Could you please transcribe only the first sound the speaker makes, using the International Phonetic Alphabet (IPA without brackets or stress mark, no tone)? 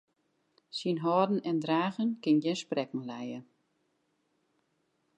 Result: s